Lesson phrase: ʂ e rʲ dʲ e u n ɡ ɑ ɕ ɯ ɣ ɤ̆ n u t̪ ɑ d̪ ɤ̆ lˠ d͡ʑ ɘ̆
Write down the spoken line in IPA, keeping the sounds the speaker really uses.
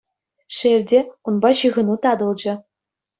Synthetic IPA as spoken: ʂ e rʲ dʲ e u n b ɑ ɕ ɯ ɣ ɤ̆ n u t̪ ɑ d̪ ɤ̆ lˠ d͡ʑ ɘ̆